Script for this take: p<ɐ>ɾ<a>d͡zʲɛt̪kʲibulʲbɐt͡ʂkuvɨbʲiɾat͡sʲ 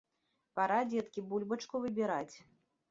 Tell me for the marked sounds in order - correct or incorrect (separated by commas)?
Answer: incorrect, correct